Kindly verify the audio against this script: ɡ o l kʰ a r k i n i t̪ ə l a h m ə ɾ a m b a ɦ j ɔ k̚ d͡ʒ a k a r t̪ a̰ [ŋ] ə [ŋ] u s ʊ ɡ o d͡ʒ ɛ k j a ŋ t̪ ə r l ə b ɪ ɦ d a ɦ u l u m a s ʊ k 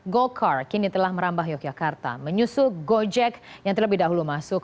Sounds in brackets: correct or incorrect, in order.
incorrect: m, incorrect: ɲ

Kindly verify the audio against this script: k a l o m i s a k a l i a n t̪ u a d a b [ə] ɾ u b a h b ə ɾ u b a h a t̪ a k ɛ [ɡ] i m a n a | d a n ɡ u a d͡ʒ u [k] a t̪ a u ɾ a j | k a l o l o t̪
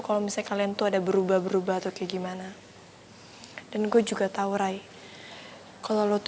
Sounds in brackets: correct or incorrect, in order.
correct, correct, incorrect: ɡ

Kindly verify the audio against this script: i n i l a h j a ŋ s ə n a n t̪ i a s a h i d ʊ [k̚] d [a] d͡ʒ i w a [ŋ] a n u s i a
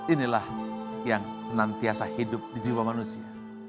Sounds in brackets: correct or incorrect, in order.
incorrect: p̚, incorrect: i, incorrect: m

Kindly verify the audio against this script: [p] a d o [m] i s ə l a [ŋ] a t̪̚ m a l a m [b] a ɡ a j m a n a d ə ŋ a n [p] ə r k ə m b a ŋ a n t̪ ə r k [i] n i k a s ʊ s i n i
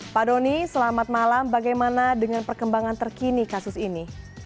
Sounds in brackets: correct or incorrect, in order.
correct, incorrect: n, incorrect: m, correct, correct, correct

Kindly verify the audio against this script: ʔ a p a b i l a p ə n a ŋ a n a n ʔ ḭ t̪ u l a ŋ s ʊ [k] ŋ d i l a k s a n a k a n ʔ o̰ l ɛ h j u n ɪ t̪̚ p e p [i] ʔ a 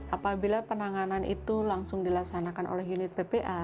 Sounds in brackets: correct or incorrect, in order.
incorrect: none, incorrect: e

